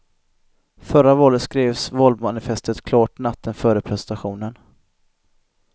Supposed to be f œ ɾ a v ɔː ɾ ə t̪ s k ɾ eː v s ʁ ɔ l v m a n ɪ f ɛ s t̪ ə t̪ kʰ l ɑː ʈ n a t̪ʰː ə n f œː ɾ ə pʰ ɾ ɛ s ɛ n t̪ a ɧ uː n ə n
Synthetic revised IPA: f œ ɾ a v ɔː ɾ ə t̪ s k ɾ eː v s v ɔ l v m a n ɪ f ɛ s t̪ ə t̪ kʰ l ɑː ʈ n a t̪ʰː ə n f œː ɾ ə pʰ ɾ ɛ s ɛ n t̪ a ɧ uː n ə n